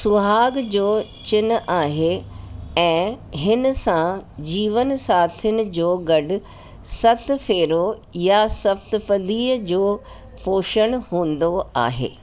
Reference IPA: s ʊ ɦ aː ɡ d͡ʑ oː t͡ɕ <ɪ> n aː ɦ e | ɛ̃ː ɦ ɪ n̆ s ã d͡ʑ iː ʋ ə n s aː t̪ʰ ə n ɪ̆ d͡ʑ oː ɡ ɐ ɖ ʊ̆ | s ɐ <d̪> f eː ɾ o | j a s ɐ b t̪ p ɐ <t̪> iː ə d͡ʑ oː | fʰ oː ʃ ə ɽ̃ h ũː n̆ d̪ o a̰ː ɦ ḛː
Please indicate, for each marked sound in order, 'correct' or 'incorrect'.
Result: correct, incorrect, incorrect

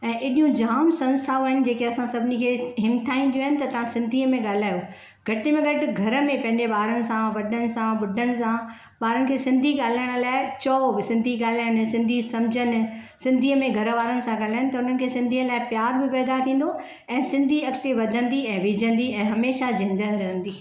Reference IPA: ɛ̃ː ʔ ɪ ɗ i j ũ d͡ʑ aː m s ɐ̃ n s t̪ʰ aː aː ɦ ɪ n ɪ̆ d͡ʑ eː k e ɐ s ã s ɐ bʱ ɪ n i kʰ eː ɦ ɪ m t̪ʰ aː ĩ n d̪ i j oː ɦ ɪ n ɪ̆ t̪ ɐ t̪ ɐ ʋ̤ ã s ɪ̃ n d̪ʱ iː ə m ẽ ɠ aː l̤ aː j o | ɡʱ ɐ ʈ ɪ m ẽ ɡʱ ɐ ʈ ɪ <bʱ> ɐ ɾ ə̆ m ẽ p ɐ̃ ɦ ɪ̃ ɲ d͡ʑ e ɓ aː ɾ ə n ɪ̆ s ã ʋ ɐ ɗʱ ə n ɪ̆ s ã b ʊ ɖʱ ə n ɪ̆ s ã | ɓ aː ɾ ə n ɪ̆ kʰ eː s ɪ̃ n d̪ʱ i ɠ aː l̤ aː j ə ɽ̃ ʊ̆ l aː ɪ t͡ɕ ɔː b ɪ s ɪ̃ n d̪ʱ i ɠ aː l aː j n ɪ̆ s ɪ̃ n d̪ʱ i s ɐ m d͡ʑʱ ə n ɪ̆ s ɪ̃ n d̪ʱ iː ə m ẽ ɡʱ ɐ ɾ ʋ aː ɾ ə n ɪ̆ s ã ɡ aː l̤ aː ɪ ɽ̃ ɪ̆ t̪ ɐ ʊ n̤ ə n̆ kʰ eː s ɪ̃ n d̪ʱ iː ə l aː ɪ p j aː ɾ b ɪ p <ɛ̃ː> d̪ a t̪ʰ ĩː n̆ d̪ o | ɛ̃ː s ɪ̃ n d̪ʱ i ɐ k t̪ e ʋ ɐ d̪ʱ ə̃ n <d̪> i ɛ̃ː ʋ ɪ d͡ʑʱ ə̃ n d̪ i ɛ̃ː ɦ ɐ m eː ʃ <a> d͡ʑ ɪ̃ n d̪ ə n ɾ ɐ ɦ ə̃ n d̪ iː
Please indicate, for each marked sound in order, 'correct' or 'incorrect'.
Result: incorrect, incorrect, correct, correct

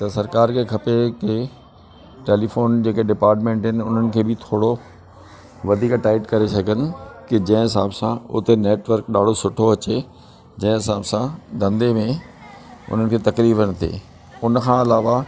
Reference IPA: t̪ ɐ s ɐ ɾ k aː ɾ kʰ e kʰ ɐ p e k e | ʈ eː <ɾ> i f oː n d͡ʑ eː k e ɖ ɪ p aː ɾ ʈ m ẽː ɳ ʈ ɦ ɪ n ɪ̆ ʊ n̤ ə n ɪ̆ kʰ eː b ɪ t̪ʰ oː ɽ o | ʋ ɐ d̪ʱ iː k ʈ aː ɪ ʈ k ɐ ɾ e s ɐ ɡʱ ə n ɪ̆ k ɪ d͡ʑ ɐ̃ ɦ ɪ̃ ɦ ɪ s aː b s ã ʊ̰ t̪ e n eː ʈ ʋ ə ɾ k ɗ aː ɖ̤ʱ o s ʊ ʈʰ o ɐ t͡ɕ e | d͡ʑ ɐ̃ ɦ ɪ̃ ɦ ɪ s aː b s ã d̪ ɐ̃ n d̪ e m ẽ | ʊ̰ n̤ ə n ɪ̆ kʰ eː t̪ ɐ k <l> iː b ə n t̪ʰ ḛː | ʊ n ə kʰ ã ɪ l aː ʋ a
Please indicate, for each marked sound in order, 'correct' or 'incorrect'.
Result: incorrect, incorrect

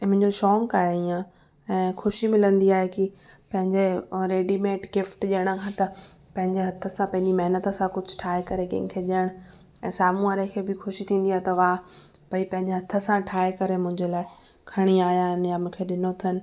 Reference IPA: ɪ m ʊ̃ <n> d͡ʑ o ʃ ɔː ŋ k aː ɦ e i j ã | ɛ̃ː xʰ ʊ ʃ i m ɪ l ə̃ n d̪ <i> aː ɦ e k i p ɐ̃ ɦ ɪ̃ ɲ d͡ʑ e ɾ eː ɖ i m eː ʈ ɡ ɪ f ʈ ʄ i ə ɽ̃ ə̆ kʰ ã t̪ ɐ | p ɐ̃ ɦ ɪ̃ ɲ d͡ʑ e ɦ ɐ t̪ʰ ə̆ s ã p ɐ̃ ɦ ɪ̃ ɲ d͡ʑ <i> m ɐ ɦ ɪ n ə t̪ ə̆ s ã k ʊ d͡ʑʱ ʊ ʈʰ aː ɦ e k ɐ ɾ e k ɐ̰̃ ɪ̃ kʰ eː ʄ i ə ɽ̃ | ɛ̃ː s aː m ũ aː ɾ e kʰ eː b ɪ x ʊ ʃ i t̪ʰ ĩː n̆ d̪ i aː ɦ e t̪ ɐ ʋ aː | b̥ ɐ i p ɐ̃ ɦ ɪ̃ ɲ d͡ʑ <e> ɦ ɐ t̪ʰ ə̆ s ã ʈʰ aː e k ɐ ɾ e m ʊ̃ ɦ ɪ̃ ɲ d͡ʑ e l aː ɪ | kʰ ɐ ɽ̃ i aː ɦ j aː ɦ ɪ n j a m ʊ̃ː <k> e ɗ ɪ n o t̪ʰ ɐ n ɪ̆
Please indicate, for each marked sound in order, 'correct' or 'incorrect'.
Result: incorrect, correct, correct, correct, incorrect

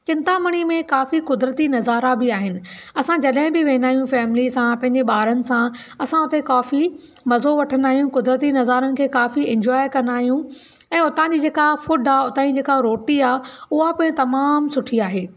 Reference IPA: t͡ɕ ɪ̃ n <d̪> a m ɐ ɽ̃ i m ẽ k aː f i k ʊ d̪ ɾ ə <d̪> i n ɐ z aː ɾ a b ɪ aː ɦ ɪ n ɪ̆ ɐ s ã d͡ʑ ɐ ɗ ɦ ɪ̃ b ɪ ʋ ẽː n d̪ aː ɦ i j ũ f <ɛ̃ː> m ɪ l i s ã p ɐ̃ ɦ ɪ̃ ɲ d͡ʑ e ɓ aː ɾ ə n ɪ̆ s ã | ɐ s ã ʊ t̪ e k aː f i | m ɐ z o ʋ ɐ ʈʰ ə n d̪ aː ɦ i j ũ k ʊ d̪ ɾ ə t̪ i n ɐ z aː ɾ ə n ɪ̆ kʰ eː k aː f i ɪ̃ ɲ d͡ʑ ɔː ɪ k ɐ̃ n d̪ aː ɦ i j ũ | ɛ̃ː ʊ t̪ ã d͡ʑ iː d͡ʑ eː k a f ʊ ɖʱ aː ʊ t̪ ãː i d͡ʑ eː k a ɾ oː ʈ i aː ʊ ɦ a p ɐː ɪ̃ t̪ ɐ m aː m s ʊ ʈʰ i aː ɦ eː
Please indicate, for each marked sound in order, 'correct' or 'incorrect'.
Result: incorrect, incorrect, incorrect

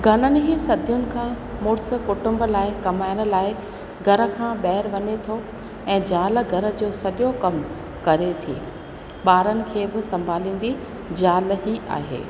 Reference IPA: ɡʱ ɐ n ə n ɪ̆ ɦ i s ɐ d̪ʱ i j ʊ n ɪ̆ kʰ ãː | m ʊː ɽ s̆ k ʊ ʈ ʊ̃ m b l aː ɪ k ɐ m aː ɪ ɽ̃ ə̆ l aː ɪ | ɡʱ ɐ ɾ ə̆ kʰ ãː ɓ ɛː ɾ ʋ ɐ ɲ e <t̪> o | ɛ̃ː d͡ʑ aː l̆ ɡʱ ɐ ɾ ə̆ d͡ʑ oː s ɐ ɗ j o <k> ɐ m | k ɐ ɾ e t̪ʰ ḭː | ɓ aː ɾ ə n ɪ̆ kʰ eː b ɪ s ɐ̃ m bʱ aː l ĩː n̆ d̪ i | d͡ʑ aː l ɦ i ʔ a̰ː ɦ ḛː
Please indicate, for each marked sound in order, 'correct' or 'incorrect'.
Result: incorrect, correct

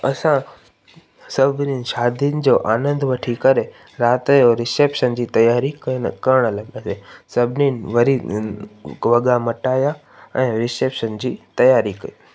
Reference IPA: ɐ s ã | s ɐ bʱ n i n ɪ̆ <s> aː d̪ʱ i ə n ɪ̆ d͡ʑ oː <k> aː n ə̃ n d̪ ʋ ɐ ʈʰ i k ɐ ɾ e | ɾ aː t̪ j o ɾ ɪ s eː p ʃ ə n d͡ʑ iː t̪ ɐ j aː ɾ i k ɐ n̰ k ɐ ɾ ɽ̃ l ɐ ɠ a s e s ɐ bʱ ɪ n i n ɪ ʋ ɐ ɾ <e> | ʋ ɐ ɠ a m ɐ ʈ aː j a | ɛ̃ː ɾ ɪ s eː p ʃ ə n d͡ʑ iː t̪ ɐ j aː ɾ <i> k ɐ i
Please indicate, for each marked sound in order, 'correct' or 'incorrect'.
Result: incorrect, incorrect, incorrect, correct

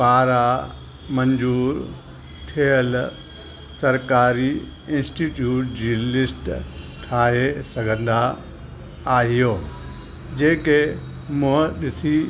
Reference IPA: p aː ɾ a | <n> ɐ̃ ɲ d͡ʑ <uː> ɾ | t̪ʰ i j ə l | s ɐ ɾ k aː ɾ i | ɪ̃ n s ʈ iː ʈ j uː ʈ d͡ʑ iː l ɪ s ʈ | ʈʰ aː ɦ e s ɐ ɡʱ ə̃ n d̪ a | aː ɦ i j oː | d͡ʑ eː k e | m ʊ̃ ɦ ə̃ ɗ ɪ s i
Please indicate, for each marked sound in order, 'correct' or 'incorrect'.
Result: incorrect, correct

